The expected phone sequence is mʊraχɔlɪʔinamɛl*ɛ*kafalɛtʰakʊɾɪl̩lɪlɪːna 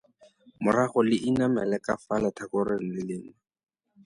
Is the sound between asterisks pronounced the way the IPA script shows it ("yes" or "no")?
yes